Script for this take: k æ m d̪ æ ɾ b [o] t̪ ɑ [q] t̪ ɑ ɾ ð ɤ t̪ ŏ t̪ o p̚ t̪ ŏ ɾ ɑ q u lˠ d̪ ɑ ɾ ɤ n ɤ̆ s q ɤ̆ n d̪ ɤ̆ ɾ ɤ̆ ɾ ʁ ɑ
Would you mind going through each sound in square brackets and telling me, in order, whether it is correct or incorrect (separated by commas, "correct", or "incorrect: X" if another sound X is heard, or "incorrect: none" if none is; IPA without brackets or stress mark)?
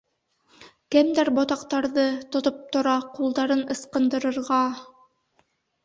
correct, correct